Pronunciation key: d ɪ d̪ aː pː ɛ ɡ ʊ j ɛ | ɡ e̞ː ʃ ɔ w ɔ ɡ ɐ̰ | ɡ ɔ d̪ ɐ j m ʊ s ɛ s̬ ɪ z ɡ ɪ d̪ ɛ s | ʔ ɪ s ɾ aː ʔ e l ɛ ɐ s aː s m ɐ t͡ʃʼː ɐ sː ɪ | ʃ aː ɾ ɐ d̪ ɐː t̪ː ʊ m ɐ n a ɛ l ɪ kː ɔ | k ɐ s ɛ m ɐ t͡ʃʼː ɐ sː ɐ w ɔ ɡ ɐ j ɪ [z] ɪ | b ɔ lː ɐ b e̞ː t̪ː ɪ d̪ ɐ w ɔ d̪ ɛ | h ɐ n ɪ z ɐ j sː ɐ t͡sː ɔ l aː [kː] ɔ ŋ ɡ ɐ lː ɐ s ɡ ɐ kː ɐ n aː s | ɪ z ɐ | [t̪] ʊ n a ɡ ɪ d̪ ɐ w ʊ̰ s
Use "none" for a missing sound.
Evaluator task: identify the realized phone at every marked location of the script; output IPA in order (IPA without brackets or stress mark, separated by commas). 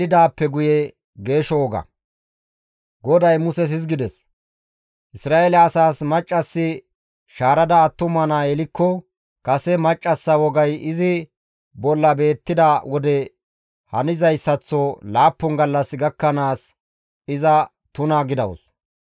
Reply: z, pː, t̪